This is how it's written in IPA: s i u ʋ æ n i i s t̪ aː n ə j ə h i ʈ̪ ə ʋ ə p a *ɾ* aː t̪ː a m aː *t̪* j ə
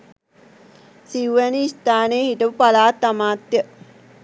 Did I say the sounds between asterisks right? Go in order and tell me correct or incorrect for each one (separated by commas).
incorrect, correct